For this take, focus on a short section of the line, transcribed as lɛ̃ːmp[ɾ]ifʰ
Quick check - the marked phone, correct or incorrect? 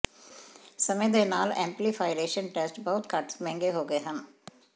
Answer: incorrect